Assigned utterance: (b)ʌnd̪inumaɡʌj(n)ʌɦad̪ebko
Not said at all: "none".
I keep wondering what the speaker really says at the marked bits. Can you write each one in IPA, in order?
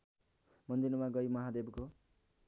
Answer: m, m

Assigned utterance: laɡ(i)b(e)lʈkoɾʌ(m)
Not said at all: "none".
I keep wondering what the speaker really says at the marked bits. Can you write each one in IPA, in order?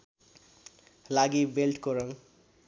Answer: i, e, ŋ

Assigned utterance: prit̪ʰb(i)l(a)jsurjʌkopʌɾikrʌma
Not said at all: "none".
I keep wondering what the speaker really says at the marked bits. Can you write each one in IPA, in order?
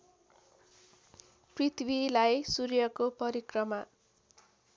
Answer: i, a

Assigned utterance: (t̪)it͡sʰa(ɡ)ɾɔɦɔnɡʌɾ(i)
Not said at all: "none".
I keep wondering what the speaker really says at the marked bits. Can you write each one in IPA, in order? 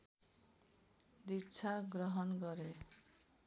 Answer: d̪, ɡ, e

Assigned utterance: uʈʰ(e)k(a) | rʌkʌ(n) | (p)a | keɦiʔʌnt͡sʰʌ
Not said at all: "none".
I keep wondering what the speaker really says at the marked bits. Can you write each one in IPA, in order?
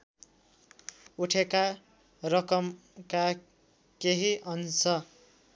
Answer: e, a, m, k

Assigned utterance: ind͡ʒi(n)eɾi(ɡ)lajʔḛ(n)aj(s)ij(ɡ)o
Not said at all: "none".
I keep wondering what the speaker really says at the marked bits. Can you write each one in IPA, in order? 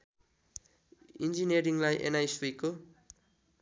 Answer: n, ŋ, n, s, k

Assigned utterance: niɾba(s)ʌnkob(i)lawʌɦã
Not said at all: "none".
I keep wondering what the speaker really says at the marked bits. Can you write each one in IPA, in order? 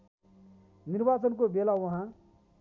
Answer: t͡s, e

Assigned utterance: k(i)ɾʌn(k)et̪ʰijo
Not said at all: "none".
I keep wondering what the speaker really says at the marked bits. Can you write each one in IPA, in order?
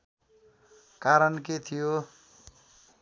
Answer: a, k

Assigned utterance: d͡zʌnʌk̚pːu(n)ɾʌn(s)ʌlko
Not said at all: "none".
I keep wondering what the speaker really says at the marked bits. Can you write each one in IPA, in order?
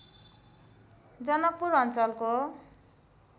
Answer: none, t͡s

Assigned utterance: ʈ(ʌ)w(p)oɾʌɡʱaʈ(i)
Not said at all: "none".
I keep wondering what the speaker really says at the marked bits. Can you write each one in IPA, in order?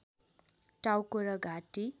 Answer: a, k, i

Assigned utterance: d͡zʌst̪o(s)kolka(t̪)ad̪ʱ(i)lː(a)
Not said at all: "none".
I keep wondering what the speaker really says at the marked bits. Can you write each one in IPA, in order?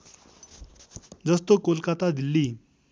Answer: none, t̪, i, i

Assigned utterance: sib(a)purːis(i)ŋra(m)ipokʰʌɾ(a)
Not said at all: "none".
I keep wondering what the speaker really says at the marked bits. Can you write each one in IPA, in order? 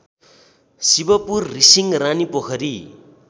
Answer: ʌ, i, n, i

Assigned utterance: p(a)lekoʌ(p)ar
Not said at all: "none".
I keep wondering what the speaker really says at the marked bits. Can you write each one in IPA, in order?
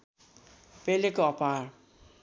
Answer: e, p

